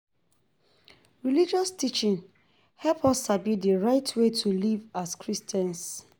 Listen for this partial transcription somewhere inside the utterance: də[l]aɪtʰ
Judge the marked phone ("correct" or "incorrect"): incorrect